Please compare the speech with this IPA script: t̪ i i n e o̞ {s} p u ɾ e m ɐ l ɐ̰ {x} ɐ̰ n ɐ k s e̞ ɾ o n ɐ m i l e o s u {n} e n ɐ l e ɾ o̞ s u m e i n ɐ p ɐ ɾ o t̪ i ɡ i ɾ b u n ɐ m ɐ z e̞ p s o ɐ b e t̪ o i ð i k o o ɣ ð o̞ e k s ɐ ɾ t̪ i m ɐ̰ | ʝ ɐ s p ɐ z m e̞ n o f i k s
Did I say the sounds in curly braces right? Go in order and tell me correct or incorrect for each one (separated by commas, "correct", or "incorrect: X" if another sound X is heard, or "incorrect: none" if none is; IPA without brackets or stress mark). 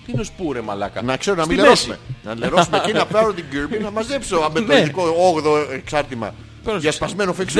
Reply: correct, incorrect: k, incorrect: m